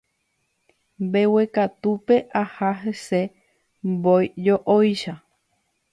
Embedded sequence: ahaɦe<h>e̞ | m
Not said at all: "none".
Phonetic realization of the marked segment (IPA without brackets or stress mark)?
s